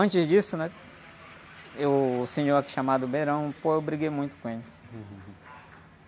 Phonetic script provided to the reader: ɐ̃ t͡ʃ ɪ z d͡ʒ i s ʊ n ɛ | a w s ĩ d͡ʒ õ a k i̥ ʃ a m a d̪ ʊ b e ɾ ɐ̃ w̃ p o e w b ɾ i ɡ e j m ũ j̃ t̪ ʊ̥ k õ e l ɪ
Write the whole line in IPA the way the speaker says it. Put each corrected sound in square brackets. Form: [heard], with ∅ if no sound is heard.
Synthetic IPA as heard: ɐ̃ t͡ʃ ɪ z d͡ʒ i s ʊ n ɛ | [e] w s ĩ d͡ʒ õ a k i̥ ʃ a m a d̪ ʊ b e ɾ ɐ̃ w̃ p o e w b ɾ i ɡ e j m ũ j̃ t̪ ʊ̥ k õ e l ɪ

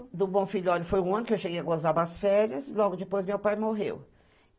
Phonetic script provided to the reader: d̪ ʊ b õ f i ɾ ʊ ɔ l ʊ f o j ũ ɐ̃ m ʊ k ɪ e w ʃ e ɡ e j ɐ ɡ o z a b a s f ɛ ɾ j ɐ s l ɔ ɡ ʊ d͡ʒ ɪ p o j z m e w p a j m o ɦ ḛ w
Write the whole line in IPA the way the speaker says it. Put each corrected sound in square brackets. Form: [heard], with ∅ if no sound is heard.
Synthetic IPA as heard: d̪ ʊ b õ f i [ʎ] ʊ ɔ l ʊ f o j ũ ɐ̃ [n] ʊ k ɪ e w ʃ e ɡ e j ɐ ɡ o z a b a s f ɛ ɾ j ɐ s l ɔ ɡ ʊ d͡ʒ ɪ p o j z m e w p a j m o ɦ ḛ w

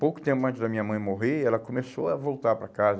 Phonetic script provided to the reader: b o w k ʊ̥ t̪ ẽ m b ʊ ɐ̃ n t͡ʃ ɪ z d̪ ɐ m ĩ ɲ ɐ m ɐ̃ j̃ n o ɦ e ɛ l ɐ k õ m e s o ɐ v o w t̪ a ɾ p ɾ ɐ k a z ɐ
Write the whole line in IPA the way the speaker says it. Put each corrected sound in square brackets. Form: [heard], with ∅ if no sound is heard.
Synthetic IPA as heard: [p] o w k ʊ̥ t̪ ẽ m [p] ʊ ɐ̃ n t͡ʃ ɪ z d̪ ɐ m ĩ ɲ ɐ m ɐ̃ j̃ [m] o ɦ e ɛ l ɐ k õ m e s o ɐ v o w t̪ a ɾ p ɾ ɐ k a z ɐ

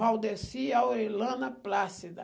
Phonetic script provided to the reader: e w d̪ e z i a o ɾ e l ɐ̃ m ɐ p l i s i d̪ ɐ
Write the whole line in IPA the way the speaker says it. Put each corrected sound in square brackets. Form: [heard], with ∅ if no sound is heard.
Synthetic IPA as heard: [a] w d̪ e [s] i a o ɾ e l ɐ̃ [n] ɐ p l [a] s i d̪ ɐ

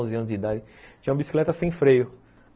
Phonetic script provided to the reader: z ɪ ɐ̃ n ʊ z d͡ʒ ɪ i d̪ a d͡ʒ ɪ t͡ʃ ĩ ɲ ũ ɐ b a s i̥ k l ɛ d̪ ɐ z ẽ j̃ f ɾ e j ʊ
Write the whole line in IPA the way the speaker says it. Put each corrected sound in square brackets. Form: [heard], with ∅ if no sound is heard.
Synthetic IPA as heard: z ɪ ɐ̃ n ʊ z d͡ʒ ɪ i d̪ a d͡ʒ ɪ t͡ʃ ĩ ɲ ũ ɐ b [i] s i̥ k l ɛ [t̪] ɐ [s] ẽ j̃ f ɾ e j ʊ

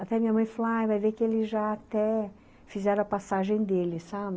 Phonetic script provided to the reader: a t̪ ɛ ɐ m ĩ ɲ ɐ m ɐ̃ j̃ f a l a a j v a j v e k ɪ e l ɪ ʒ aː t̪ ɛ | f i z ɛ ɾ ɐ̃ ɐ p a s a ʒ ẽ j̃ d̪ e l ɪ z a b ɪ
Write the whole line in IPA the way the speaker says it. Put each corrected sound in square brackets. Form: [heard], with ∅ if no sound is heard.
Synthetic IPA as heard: a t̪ ɛ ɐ m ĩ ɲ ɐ m ɐ̃ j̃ f a l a a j v a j v e k ɪ e l ɪ ʒ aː t̪ ɛ | f i z ɛ ɾ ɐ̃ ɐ p a s a ʒ ẽ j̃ d̪ e l ɪ [s] a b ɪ

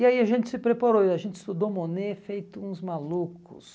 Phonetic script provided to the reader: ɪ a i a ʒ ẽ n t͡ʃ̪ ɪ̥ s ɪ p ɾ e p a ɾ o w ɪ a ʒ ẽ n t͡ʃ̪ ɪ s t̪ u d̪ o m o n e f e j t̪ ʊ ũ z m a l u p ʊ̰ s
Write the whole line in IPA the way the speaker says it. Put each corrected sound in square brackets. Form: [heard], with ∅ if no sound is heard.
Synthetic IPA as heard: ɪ a i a ʒ ẽ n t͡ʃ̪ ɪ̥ s ɪ p ɾ e p a ɾ o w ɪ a ʒ ẽ n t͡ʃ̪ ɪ s t̪ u d̪ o m o n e f e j t̪ ʊ ũ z m a l u [k] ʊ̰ s

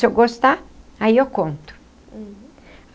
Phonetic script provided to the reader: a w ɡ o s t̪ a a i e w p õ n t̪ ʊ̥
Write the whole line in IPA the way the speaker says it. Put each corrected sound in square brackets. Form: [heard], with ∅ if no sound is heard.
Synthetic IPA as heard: [e] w ɡ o s t̪ a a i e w [k] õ n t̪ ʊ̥

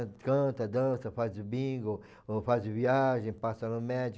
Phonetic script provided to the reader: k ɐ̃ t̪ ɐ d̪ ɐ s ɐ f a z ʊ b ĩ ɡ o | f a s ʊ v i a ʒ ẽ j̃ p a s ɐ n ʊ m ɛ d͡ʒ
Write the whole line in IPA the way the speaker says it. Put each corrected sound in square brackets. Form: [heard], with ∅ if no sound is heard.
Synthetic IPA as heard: k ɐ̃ t̪ ɐ d̪ [ɐ̃] s ɐ f a z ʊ b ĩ ɡ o | f a [z] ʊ v i a ʒ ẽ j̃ p a s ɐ n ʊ m ɛ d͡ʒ

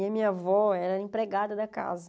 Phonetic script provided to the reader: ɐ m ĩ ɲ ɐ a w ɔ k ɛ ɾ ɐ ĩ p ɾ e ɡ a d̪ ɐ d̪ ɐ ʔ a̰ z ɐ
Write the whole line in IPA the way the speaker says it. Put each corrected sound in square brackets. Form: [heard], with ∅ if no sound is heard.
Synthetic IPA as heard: ɐ m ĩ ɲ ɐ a [v] ɔ [∅] ɛ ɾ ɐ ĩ p ɾ e ɡ a d̪ ɐ d̪ ɐ [k] a̰ z ɐ

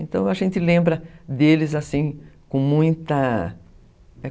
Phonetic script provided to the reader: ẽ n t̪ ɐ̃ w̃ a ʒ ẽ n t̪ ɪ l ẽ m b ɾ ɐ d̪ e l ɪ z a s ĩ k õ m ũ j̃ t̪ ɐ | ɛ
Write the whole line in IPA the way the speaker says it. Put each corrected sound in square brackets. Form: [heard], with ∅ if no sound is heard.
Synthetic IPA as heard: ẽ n t̪ ɐ̃ w̃ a ʒ ẽ n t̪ ɪ l ẽ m b ɾ ɐ d̪ e l ɪ z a s ĩ k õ m ũ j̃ t̪ ɐ | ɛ

